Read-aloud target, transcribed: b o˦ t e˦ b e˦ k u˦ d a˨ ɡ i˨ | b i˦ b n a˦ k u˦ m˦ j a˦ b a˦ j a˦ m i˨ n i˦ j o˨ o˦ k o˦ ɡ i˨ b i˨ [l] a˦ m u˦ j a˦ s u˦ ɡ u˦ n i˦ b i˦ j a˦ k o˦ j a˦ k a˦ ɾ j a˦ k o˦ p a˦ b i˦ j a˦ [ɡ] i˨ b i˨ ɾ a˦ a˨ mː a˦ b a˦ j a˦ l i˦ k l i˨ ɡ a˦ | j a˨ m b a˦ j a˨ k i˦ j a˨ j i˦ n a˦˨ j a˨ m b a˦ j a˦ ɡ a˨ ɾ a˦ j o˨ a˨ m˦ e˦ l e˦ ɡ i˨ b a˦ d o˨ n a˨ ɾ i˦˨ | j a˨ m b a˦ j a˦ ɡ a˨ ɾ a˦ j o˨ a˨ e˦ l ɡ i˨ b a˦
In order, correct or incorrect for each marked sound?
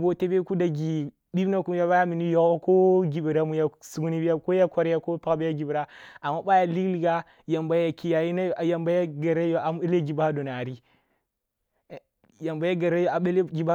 incorrect, correct

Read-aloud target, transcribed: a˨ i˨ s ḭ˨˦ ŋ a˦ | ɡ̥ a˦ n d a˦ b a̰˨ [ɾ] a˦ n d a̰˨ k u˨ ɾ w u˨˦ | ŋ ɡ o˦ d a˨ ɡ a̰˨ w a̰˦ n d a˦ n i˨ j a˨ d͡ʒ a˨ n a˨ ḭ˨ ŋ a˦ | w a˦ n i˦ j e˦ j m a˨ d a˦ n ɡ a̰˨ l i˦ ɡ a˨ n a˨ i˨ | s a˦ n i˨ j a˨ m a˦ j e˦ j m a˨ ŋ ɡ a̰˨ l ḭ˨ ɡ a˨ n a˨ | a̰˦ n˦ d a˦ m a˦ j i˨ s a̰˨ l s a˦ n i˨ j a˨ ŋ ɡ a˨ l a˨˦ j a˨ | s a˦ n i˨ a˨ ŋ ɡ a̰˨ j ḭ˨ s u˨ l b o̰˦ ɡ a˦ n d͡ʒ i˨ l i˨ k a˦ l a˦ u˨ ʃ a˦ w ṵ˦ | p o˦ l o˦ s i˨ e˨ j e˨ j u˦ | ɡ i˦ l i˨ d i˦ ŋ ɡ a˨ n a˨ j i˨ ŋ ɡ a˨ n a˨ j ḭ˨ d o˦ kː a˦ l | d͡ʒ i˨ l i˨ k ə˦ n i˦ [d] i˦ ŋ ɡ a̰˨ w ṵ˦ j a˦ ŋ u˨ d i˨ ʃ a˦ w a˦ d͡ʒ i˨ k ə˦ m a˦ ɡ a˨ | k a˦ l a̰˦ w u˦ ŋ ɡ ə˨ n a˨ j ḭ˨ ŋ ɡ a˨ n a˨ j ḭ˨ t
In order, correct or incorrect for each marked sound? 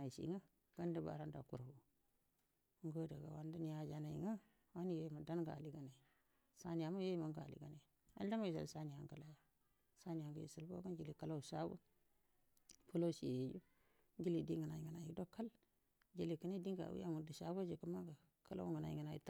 correct, correct

